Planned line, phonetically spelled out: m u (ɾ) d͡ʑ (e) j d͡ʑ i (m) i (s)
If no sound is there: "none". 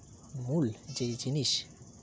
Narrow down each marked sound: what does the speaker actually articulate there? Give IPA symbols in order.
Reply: l, e, n, ʃ

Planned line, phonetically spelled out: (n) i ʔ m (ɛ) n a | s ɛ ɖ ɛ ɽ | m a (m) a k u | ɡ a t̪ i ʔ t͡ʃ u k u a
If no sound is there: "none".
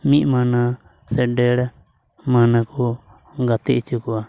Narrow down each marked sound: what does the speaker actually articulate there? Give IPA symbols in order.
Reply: m, a, n

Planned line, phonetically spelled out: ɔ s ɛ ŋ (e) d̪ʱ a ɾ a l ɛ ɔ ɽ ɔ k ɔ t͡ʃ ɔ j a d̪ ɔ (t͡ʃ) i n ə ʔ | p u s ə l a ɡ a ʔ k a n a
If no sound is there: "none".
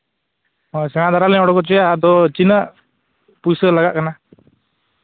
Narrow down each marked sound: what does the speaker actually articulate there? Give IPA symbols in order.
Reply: a, t͡ʃ

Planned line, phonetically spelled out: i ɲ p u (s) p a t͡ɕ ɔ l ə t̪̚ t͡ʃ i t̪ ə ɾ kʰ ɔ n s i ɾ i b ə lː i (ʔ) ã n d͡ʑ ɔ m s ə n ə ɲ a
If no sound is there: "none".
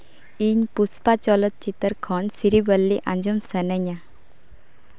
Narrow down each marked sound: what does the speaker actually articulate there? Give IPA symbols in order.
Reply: s, ʔ

